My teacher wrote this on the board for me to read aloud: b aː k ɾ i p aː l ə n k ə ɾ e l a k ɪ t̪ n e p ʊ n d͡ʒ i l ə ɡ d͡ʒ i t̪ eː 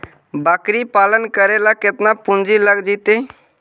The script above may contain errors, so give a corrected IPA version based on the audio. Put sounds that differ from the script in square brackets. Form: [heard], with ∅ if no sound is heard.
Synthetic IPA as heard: b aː k ɾ i p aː l ə n k ə ɾ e l a k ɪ t̪ n [a] p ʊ n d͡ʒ i l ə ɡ d͡ʒ i t̪ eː